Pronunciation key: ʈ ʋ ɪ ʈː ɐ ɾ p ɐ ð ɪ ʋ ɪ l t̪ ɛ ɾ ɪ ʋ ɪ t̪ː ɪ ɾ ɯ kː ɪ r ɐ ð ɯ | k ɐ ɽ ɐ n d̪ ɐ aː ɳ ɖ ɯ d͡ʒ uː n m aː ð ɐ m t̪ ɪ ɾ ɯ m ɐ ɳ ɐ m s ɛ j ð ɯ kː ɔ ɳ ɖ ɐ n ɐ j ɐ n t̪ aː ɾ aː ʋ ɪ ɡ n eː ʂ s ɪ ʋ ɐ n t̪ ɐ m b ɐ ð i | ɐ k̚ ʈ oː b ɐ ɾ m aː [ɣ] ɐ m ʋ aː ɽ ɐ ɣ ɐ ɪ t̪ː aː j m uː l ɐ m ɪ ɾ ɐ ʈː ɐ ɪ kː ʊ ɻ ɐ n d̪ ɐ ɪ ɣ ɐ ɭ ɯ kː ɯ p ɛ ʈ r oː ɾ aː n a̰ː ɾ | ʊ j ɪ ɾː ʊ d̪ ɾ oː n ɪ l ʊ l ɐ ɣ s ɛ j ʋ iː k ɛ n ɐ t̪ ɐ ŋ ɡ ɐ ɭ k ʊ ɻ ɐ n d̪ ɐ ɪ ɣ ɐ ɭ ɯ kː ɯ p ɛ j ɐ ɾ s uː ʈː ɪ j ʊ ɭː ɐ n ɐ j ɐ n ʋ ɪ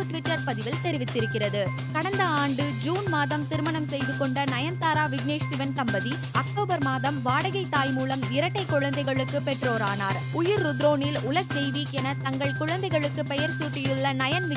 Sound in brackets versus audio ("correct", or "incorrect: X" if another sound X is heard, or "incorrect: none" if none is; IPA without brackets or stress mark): incorrect: ð